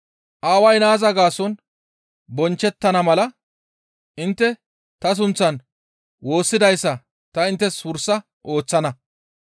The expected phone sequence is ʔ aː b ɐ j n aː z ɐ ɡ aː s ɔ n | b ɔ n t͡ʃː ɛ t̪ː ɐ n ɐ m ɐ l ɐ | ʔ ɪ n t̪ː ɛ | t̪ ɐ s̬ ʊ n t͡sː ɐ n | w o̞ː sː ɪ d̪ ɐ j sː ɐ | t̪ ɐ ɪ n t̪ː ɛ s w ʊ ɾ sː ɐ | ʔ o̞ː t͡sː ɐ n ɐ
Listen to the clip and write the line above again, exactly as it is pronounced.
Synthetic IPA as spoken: ʔ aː w ɐ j n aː z ɐ ɡ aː s ɔ n | b ɔ n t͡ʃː ɛ t̪ː ɐ n ɐ m ɐ l ɐ | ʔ ɪ n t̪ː ɛ | t̪ ɐ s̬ ʊ n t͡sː ɐ n | w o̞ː sː ɪ d̪ ɐ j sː ɐ | t̪ ɐ ɪ n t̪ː ɛ s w ʊ ɾ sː ɐ | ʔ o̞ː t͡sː ɐ n ɐ